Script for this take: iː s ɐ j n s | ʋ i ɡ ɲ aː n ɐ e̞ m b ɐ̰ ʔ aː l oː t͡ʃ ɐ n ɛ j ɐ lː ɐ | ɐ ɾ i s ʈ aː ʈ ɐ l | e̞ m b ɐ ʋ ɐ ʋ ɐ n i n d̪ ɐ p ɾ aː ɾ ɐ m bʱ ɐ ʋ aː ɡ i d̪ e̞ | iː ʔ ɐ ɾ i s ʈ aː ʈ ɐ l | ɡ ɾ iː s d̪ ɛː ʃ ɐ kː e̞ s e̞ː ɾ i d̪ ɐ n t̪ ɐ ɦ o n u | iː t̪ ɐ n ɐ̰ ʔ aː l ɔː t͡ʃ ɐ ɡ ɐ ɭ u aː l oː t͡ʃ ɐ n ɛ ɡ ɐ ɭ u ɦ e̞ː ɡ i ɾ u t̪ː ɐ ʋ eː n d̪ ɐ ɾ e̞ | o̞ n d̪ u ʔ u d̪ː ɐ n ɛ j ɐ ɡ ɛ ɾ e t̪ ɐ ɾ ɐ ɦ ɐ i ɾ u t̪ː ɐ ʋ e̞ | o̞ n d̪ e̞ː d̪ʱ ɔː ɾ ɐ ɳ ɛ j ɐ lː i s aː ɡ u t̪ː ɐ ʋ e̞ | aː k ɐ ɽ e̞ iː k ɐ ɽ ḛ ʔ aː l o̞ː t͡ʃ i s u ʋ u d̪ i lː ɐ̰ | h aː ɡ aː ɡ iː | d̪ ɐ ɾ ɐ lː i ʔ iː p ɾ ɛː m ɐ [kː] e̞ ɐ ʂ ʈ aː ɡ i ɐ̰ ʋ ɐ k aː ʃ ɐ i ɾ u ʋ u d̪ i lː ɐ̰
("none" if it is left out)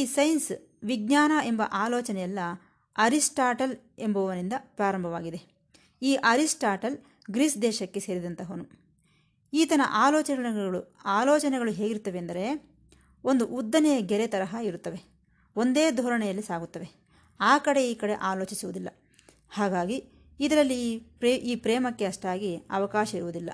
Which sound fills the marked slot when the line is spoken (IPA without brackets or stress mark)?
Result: kː